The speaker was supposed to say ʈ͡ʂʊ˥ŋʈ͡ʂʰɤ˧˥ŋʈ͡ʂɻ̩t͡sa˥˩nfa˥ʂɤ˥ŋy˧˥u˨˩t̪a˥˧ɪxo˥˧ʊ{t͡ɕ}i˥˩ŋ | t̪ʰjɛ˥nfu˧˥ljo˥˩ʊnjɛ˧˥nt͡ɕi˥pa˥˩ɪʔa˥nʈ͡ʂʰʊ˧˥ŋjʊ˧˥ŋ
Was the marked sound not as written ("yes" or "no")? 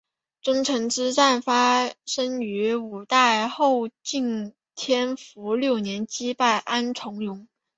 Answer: no